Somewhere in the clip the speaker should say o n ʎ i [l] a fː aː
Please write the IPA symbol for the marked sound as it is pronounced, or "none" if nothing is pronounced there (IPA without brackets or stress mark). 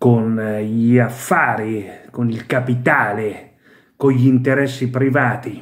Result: none